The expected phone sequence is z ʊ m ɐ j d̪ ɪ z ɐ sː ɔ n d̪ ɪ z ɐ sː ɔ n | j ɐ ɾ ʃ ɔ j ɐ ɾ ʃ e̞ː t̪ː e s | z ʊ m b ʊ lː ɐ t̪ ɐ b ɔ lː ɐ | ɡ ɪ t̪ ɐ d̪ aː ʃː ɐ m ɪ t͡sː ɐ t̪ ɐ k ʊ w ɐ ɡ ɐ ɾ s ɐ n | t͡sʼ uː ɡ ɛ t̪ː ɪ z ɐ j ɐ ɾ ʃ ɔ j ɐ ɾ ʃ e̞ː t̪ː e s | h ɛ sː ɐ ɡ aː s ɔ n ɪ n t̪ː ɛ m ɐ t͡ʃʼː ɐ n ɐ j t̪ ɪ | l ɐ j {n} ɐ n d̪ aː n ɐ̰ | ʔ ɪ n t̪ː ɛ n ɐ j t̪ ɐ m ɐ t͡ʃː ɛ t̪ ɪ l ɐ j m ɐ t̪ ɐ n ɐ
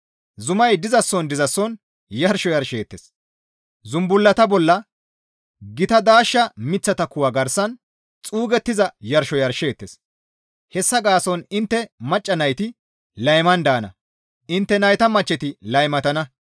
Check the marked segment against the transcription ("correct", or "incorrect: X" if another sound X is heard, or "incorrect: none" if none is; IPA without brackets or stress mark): incorrect: m